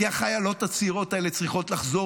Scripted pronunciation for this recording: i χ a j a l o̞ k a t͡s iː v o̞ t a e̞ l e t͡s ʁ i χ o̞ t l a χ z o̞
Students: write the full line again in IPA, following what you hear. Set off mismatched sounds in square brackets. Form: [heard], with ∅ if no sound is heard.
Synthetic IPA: [a] χ a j a l o̞ [t] a t͡s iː [ʁ] o̞ t a e̞ l e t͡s ʁ i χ o̞ t l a χ z o̞